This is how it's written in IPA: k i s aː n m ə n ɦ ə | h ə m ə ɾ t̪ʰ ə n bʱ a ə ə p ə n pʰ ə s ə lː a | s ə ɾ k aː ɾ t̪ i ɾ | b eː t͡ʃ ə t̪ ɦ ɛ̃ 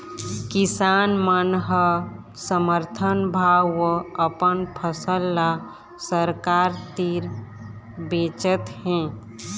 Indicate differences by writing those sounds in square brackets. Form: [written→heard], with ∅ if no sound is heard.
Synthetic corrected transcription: k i s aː n m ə n ɦ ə | [h→s] ə m ə ɾ t̪ʰ ə n bʱ a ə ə p ə n pʰ ə s ə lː a | s ə ɾ k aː ɾ t̪ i ɾ | b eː t͡ʃ ə t̪ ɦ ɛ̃